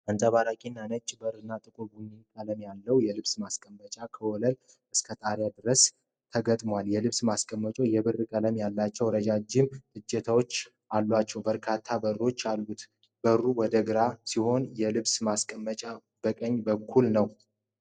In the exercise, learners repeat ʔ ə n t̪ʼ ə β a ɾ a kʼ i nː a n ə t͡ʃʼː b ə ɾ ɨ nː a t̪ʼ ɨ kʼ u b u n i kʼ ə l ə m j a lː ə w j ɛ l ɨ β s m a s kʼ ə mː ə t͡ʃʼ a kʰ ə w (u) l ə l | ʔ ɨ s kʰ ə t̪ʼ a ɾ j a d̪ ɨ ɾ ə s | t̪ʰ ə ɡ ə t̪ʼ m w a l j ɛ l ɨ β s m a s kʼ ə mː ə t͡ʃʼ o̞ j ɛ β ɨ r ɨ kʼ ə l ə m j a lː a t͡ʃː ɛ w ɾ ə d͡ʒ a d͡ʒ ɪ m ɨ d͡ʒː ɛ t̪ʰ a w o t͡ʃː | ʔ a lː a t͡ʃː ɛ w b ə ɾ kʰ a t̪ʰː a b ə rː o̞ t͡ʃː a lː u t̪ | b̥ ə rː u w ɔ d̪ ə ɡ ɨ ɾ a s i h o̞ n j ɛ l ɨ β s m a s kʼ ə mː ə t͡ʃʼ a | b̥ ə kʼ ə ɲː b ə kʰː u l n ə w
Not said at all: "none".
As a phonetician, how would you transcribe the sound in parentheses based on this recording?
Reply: ɔ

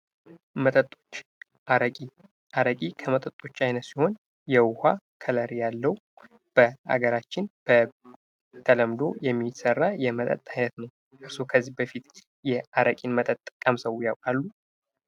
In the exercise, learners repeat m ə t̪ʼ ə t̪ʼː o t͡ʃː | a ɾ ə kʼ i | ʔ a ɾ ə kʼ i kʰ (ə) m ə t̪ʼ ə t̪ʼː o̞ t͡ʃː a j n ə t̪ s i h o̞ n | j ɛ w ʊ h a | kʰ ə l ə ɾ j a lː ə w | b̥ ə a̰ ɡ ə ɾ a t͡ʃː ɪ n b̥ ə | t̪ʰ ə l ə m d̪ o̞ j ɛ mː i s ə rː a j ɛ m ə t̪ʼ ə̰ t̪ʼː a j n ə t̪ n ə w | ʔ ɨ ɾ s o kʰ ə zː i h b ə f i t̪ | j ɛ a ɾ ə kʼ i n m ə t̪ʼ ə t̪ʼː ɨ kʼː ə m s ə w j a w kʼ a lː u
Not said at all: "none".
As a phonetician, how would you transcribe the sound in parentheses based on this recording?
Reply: ə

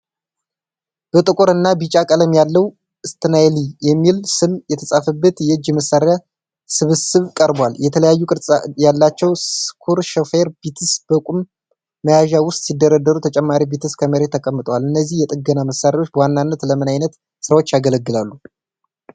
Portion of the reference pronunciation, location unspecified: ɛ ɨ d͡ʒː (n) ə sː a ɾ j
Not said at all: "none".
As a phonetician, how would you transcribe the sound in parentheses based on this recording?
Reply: m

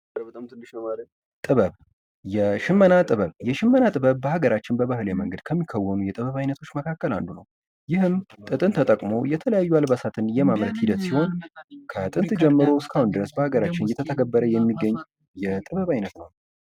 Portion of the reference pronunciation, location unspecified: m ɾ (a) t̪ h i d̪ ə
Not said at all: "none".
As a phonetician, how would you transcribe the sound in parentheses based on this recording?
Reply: ə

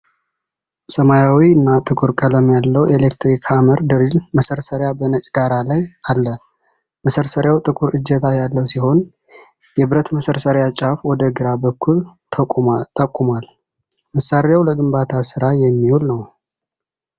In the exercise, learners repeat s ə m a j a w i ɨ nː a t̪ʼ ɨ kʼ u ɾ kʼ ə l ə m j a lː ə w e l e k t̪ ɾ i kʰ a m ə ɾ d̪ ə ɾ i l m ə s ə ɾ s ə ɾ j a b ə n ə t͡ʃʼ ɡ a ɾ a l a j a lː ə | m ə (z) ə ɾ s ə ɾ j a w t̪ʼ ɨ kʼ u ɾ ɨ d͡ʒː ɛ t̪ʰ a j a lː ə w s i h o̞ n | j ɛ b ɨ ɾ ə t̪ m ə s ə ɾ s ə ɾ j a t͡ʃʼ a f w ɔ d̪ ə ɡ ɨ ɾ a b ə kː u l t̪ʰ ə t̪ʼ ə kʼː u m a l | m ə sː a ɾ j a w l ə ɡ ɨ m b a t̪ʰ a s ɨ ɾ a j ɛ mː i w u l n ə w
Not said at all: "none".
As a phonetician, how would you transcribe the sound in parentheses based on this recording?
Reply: s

